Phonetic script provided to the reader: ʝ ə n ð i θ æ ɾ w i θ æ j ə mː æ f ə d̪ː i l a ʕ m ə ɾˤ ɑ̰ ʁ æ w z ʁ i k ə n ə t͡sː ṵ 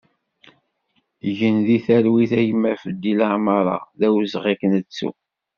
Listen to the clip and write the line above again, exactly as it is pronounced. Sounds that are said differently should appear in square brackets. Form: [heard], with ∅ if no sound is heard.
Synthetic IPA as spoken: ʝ ə n ð i θ æ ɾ w i θ æ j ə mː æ f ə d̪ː i l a ʕ m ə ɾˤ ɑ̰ [ð] æ w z ʁ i k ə n ə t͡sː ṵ